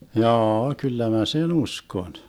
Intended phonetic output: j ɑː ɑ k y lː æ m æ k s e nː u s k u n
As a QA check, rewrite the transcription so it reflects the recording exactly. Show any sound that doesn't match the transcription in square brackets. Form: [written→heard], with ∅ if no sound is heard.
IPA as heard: j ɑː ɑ k y lː æ m æ [k→∅] s e [nː→n] u s k [u→o] n